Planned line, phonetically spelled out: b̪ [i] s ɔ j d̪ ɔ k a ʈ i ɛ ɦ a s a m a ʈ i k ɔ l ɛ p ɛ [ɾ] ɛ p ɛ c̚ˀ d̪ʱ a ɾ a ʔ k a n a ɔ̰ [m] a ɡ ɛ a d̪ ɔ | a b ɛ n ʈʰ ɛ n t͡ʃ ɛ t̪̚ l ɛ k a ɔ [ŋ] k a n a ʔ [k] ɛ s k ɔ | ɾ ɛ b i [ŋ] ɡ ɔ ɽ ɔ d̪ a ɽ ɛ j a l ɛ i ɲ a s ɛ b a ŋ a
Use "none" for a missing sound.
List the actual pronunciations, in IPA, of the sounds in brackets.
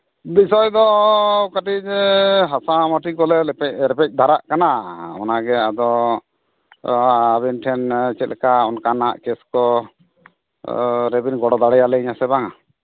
i, ɾ, n, n, k, n

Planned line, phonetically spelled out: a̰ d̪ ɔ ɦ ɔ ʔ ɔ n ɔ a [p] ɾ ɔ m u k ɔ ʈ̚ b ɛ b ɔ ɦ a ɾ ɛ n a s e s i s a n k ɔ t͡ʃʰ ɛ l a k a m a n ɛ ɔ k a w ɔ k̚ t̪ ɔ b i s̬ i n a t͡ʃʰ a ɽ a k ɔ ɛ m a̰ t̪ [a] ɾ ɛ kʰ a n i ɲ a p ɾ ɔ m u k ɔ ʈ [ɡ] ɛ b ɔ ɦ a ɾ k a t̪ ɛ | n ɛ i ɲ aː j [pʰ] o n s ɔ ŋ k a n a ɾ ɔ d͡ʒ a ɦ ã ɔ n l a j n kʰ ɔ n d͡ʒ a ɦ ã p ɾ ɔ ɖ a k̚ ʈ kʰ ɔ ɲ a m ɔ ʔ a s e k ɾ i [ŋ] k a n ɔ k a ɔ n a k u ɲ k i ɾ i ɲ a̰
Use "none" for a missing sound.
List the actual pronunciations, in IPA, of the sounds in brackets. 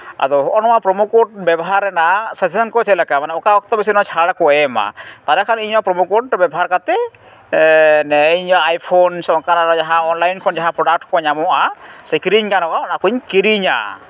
p, a, b, pʰ, ɲ

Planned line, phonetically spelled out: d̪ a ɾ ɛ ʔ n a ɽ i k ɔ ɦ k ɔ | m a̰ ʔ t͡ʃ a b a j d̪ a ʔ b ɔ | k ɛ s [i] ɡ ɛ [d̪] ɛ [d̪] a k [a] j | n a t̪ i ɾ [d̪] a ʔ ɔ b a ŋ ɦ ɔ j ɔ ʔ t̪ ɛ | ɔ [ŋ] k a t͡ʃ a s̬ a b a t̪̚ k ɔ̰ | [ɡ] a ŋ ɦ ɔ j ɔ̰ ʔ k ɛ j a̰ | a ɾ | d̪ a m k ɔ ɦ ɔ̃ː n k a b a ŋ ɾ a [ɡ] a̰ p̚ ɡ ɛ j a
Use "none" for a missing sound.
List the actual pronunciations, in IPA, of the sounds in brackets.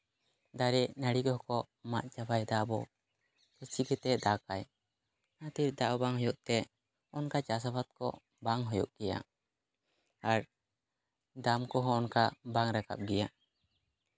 i, t̪, d̪, a, d̪, n, b, k

